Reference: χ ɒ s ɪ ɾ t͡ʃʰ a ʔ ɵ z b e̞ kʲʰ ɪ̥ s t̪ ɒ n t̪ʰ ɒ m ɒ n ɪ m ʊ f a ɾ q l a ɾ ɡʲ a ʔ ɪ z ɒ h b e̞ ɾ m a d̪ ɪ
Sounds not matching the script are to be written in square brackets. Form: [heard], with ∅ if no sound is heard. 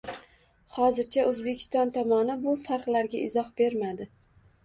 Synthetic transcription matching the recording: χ ɒ [z] ɪ ɾ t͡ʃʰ a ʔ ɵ z b e̞ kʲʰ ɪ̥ s t̪ ɒ n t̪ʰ ɒ m ɒ n ɪ [b] ʊ f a ɾ q l a ɾ ɡʲ a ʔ ɪ z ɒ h b e̞ ɾ m a d̪ ɪ